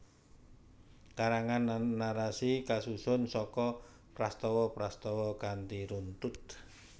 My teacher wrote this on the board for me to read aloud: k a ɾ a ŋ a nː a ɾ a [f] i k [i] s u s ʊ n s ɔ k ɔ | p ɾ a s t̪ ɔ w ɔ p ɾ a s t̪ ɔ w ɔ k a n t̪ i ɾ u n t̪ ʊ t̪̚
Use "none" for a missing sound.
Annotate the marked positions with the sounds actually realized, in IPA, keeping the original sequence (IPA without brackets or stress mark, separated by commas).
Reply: s, a